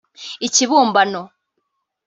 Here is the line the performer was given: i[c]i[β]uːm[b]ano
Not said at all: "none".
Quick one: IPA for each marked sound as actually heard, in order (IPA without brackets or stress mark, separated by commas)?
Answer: c, β, b